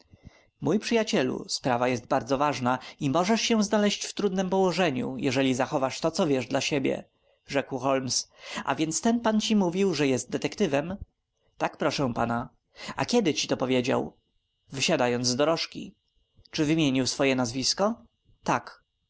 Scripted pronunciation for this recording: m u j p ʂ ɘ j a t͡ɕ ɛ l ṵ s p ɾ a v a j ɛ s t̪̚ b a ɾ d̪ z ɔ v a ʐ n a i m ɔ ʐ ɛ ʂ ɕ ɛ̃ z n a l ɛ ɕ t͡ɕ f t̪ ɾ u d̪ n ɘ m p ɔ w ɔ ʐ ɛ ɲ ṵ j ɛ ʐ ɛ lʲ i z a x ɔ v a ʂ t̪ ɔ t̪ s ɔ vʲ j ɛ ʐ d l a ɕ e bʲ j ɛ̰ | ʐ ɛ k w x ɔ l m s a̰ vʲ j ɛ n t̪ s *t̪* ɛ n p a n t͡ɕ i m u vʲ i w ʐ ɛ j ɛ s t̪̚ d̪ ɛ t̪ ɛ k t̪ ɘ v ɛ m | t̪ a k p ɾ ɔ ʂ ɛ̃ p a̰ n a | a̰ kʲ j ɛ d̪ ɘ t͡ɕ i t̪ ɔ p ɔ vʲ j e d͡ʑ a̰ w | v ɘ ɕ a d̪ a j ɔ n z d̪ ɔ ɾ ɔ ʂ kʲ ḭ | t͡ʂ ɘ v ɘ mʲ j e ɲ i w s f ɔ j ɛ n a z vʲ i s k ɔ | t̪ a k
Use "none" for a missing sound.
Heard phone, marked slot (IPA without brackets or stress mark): t̪